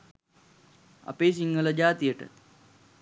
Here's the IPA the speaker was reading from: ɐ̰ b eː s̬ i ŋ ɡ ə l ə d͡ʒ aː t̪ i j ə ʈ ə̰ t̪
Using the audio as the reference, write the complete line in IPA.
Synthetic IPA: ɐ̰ p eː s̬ i ŋ ɡ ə l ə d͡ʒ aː t̪ i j ə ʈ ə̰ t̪